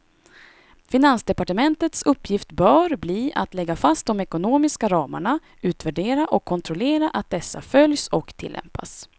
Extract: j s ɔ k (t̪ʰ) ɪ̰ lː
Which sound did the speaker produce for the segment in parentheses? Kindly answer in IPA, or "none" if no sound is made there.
t̪ʰ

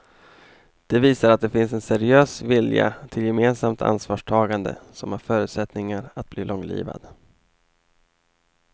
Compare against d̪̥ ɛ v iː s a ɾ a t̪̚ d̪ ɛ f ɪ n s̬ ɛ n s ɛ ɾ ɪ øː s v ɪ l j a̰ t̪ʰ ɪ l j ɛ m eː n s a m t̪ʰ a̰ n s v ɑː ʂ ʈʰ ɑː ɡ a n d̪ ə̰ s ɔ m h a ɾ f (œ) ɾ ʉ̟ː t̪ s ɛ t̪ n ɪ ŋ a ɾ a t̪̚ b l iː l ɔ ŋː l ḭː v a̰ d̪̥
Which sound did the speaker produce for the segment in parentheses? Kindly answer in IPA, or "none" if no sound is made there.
œː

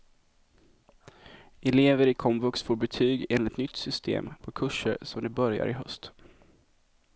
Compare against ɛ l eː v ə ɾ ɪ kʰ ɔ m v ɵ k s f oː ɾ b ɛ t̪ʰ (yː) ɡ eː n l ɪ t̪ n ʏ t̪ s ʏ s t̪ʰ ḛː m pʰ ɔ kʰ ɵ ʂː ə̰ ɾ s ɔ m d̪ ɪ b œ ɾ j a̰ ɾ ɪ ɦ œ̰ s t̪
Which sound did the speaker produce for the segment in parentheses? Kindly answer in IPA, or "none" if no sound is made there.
yː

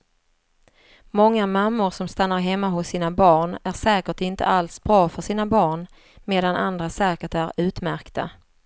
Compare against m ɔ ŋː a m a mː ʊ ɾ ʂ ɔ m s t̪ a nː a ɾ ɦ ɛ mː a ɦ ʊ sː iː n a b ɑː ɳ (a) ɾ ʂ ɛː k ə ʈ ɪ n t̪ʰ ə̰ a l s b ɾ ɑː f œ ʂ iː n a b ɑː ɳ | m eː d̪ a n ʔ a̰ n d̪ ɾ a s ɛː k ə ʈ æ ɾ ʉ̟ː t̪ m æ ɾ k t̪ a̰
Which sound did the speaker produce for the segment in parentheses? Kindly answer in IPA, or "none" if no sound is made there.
æ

